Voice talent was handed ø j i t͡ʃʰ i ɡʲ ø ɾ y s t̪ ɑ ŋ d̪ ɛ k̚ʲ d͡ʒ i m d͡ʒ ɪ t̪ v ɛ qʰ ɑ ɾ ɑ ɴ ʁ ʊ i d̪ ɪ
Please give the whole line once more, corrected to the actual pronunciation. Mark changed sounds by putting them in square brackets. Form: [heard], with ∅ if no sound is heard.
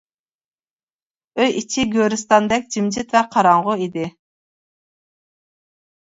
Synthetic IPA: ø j i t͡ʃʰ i ɡʲ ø ɾ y s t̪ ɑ [n] d̪ ɛ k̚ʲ d͡ʒ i m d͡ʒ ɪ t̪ v ɛ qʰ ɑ ɾ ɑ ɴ ʁ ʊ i d̪ ɪ